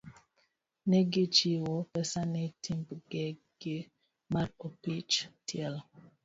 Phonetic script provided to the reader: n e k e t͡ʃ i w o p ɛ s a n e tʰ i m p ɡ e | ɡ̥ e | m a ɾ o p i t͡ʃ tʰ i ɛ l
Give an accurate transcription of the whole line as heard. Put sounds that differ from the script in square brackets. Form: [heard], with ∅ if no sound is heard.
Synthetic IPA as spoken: n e [ɡ] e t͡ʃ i w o p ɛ s a n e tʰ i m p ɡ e | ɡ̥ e | m a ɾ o p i t͡ʃ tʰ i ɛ l